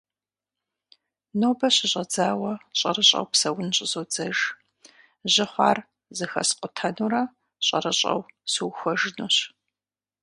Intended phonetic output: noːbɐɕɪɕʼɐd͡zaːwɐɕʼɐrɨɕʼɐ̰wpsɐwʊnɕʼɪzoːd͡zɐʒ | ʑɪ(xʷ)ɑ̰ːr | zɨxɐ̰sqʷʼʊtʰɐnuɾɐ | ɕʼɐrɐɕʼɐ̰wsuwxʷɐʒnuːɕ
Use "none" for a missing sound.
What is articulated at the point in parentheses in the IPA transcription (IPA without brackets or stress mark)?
χʷ